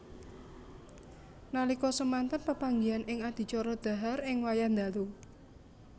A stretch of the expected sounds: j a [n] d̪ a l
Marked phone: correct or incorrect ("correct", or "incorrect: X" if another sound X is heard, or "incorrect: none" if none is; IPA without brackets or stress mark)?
correct